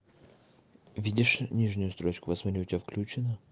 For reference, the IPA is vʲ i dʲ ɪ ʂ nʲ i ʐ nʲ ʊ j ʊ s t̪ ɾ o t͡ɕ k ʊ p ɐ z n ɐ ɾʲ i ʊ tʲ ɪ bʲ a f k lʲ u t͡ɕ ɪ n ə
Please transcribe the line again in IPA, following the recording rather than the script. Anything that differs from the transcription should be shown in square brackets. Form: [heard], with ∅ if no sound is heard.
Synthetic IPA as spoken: vʲ i dʲ ɪ ʂ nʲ i ʐ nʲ ʊ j ʊ s t̪ ɾ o t͡ɕ k ʊ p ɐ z [m] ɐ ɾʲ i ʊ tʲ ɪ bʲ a f k lʲ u t͡ɕ ɪ n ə